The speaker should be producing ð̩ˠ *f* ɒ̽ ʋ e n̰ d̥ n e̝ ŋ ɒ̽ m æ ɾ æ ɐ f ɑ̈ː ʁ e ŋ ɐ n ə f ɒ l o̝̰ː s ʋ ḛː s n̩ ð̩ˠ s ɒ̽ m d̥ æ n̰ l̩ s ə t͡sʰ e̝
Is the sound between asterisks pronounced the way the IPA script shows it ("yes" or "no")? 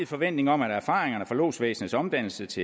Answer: yes